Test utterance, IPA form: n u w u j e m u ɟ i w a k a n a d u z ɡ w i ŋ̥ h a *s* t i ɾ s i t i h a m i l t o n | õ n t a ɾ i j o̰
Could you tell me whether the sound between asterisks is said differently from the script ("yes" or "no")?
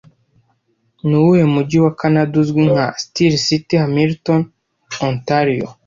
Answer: no